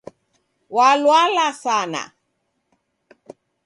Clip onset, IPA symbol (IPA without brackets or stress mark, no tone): w